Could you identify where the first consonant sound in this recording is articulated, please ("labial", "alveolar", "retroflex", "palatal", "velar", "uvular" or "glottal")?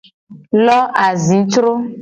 alveolar